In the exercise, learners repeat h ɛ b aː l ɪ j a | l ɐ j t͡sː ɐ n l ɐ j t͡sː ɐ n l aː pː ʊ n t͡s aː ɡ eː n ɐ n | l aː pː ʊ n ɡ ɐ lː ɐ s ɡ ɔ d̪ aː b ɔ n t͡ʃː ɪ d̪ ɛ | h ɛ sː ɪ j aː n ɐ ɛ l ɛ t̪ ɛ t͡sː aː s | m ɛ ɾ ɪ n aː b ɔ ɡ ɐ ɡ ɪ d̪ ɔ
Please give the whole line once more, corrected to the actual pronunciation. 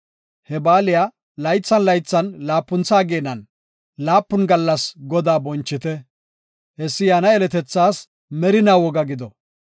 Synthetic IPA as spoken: h ɛ b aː l ɪ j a | l ɐ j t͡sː ɐ n l ɐ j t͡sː ɐ n l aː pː ʊ n t͡s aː ɡ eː n ɐ n | l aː pː ʊ n ɡ ɐ lː ɐ s ɡ ɔ d̪ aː b ɔ n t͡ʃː ɪ t̪ ɛ | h ɛ sː ɪ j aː n ɐ ɛ l ɛ t̪ ɛ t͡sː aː s | m ɛ ɾ ɪ n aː w ɔ ɡ ɐ ɡ ɪ d̪ ɔ